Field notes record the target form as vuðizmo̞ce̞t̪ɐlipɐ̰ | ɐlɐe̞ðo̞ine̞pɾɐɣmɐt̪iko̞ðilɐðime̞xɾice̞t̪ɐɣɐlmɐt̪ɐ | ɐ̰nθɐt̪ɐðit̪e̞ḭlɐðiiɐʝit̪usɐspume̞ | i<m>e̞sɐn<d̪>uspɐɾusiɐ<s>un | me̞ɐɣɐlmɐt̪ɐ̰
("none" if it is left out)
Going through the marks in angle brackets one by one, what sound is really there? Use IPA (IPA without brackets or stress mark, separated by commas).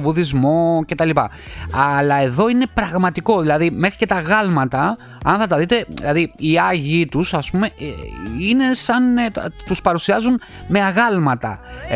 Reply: n, t̪, z